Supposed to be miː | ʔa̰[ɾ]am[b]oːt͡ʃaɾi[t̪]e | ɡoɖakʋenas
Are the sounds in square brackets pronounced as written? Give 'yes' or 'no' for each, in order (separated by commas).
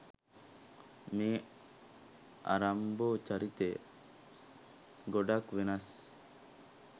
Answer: yes, yes, yes